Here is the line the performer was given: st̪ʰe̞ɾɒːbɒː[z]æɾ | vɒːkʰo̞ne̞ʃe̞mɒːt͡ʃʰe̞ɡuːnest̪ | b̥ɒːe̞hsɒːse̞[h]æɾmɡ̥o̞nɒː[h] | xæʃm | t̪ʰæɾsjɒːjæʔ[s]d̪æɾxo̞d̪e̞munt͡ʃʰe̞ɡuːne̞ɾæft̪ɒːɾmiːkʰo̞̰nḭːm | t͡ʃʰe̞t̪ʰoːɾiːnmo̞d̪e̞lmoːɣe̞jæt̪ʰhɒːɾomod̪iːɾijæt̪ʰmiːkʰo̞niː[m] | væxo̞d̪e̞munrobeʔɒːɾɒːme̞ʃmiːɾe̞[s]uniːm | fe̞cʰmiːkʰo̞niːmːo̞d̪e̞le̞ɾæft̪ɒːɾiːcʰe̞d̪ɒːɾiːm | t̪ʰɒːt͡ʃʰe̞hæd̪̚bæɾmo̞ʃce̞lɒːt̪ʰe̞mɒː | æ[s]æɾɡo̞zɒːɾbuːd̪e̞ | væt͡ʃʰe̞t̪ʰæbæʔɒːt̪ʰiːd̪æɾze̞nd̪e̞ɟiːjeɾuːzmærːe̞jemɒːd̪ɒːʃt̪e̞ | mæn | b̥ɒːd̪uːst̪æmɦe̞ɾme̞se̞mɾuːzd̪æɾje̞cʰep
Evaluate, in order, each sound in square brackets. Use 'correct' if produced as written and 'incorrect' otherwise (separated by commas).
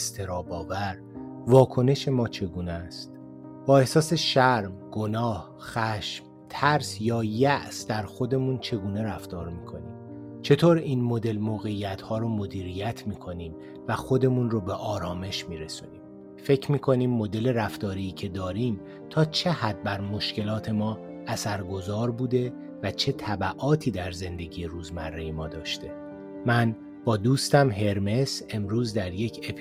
incorrect, incorrect, correct, correct, correct, correct, correct